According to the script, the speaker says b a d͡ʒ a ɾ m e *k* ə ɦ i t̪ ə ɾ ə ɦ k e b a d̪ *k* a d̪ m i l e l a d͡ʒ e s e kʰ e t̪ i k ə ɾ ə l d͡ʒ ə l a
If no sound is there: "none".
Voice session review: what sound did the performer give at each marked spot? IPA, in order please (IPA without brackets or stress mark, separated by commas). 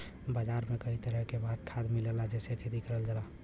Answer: k, kʰ